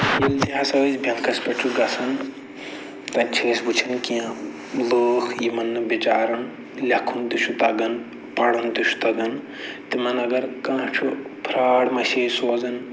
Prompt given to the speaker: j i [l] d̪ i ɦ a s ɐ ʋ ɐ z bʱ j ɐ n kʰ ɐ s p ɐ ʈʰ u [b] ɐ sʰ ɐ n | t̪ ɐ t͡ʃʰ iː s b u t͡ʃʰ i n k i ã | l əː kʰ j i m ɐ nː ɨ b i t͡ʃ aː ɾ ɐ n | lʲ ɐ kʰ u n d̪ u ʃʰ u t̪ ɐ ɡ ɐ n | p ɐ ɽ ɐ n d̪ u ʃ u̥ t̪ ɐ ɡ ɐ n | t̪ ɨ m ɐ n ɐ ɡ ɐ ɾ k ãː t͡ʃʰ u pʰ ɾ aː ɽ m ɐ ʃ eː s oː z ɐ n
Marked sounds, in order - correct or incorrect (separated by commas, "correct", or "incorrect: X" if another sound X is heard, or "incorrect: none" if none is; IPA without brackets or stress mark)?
correct, incorrect: ɡ